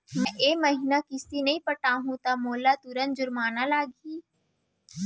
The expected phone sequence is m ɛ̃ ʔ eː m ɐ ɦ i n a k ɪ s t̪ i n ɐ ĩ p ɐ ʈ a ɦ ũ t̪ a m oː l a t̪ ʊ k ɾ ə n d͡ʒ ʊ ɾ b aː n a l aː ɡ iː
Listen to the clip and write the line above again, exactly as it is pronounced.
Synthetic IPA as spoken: m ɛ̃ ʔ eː m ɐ ɦ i n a k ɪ s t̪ i n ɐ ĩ p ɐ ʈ a ɦ ũ t̪ a m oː l a t̪ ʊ ɾ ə n d͡ʒ ʊ ɾ m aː n a l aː ɡ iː